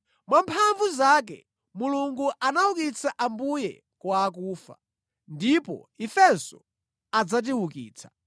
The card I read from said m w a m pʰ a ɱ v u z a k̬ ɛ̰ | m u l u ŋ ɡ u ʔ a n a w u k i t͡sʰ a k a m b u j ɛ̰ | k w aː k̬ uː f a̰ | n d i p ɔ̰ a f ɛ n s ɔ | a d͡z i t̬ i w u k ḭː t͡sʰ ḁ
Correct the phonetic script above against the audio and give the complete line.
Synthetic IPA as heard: m w a m pʰ a ɱ v u z a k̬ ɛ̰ | m u l u ŋ ɡ u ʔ a n a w u k i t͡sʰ a ʔ a m b u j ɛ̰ | k w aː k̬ uː f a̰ | n d i p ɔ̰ i f ɛ n s ɔ | a d͡z a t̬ i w u k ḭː t͡sʰ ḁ